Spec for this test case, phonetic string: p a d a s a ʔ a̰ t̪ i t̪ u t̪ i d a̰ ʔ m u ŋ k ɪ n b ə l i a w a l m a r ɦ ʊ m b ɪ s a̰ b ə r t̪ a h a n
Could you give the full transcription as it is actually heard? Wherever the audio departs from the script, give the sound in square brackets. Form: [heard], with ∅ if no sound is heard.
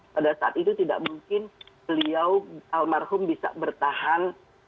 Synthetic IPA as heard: p a d a s a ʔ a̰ t̪ i t̪ u t̪ i d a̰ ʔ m u ŋ k ɪ n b ə l i a w a l m a r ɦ ʊ m b [i] s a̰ b ə r t̪ a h a n